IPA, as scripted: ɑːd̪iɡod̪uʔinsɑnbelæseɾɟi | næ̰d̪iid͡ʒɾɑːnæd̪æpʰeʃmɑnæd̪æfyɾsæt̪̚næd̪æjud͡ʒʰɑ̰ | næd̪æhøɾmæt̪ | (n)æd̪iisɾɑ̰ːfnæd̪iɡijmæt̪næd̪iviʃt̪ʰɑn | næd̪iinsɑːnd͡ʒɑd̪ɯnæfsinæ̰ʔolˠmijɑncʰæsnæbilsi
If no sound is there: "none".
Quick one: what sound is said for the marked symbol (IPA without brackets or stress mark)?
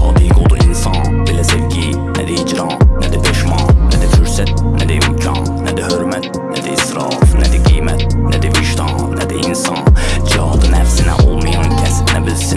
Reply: n